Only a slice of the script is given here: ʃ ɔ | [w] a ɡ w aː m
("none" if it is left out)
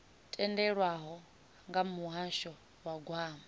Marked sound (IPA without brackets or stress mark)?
w